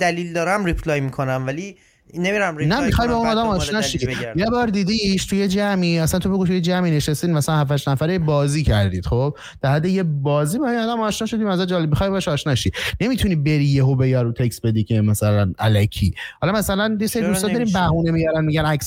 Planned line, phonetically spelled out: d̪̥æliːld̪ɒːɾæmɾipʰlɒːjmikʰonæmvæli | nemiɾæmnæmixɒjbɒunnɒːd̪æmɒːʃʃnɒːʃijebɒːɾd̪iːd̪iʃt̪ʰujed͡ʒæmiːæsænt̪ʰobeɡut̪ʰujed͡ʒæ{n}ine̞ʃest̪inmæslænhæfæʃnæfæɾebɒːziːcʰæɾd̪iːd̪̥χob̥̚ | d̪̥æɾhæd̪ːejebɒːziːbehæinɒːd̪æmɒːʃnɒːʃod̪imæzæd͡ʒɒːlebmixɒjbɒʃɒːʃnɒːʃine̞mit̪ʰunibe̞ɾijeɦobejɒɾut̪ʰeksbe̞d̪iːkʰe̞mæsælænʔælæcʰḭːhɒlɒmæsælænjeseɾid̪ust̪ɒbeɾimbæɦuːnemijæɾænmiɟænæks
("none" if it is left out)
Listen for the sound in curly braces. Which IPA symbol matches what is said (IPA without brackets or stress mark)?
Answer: m